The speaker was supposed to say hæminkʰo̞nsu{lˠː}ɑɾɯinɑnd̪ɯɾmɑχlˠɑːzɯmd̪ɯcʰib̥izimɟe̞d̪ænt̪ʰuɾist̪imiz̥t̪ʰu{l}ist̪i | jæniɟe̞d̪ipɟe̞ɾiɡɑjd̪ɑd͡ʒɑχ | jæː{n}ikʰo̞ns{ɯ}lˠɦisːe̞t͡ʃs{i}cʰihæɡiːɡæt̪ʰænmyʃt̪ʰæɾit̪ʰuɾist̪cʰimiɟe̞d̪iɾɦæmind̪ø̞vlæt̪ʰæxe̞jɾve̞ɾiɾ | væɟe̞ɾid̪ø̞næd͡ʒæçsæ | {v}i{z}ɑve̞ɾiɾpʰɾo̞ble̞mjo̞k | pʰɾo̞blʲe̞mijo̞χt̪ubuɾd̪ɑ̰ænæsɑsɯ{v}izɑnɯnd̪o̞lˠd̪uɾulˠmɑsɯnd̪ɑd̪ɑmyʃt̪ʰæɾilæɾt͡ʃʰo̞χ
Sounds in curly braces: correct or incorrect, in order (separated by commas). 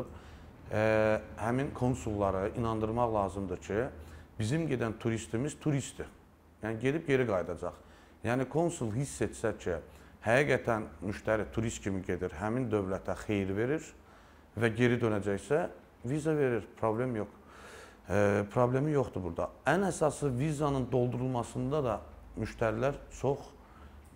correct, incorrect, correct, incorrect, incorrect, correct, correct, correct